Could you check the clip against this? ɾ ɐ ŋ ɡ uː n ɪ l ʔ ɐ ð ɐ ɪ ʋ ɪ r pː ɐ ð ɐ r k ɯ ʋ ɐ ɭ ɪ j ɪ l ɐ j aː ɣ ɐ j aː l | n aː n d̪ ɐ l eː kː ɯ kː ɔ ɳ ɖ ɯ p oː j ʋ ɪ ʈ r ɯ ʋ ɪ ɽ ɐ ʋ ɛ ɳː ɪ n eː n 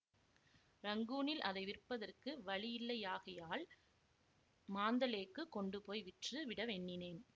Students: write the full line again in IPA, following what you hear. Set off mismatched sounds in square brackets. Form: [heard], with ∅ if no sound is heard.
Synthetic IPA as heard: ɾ ɐ ŋ ɡ uː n ɪ l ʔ ɐ ð ɐ ɪ ʋ ɪ r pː ɐ ð ɐ r k ɯ ʋ ɐ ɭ ɪ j ɪ [lː] ɐ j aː ɣ ɐ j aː l | [m] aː n d̪ ɐ l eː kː ɯ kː ɔ ɳ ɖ ɯ p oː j ʋ ɪ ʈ r ɯ ʋ ɪ ɽ ɐ ʋ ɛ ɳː ɪ n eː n